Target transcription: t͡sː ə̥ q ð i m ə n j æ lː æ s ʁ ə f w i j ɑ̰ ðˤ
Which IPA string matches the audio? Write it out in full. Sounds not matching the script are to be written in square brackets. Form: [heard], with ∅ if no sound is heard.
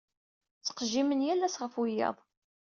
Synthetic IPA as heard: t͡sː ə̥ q [ʒ] i m ə n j æ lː æ s ʁ ə f w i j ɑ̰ ðˤ

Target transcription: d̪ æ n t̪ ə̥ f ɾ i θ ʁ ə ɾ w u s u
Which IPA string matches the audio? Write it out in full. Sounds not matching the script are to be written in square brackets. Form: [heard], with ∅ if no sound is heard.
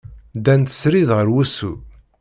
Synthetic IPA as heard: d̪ æ n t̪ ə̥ [s] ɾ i [ð] ʁ ə ɾ w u s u

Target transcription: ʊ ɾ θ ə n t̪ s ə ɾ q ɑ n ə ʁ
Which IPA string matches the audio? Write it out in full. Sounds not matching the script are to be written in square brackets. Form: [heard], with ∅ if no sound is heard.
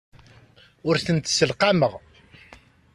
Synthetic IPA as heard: ʊ ɾ θ ə n t̪ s ə [l] q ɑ [m] ə ʁ

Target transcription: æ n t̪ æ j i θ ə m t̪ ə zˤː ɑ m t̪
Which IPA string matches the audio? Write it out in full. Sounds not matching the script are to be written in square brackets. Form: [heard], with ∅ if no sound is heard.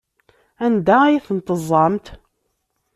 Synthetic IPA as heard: æ n [d̪] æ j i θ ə [n] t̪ ə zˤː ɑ m t̪

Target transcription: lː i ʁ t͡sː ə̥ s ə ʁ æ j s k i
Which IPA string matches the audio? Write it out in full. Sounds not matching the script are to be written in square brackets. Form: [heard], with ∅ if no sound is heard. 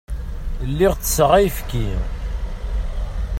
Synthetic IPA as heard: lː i ʁ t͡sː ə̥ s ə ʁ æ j [f] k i

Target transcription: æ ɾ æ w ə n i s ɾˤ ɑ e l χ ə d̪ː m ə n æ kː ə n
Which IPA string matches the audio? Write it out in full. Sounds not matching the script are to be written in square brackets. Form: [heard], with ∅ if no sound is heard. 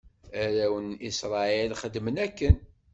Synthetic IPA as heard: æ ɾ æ w ə n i s ɾˤ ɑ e l χ ə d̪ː m ə n æ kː ə n

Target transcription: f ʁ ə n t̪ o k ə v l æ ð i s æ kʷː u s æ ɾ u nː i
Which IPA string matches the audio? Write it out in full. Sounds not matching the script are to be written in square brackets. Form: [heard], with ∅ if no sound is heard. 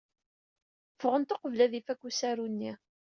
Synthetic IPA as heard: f ʁ ə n t̪ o [q] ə v l æ ð i [f] æ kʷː u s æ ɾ u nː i

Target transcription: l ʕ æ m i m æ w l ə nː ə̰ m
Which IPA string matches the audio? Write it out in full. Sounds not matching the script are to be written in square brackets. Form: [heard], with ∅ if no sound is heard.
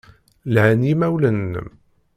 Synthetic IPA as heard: l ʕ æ [n] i m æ w l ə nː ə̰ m

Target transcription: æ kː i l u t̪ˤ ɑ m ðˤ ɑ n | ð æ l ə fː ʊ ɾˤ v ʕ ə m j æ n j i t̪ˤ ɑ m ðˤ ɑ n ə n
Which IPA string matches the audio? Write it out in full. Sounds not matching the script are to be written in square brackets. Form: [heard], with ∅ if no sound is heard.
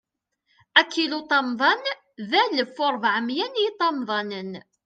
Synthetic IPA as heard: æ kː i l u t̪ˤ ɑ m ðˤ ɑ n | ð æ l ə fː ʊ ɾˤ v ʕ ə m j æ n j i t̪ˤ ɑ m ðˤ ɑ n ə n

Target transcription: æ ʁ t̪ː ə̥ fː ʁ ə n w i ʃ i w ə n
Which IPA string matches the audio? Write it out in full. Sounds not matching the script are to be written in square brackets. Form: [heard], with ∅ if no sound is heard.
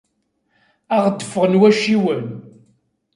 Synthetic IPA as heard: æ ʁ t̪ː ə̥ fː ʁ ə n w [æ] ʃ i w ə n

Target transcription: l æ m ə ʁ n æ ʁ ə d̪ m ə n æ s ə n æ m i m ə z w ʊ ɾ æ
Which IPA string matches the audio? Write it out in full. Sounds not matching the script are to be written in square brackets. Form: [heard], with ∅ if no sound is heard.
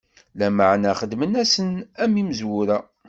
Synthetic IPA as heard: l æ m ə [ʕ] n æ [χ] ə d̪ m ə n æ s ə n æ m i m ə z w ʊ ɾ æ

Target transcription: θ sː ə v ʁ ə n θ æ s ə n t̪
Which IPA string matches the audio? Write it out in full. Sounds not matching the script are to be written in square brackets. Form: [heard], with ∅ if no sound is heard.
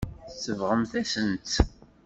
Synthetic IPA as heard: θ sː ə v ʁ ə [m] θ æ s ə n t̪

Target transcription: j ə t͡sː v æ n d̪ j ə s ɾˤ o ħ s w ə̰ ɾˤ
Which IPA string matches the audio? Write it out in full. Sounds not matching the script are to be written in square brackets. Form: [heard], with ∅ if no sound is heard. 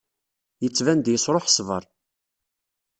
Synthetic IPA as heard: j ə t͡sː v æ n d̪ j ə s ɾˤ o ħ s [v] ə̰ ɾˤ

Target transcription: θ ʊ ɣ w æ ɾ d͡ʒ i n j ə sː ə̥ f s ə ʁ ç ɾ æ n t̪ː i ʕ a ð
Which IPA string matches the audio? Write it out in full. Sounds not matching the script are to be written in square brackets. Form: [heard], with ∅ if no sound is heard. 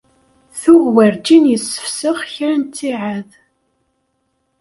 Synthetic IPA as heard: θ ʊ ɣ w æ ɾ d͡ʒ i n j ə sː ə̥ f s ə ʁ ç ɾ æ n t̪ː i ʕ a ð

